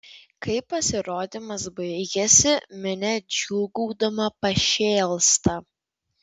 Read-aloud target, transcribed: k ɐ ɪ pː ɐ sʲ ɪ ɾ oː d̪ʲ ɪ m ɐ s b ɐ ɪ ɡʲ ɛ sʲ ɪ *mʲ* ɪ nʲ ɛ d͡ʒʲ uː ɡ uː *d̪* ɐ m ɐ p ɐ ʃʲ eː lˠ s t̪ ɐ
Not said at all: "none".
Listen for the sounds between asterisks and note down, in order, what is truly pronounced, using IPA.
mʲ, d̪

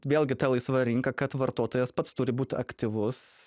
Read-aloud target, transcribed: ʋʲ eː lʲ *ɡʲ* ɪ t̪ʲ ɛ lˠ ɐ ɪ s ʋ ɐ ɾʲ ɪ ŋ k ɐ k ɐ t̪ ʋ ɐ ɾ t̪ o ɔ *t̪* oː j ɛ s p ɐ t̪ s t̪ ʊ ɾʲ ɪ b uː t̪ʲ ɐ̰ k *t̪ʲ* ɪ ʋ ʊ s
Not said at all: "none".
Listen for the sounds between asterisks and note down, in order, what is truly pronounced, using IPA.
ɡʲ, t̪, t̪ʲ

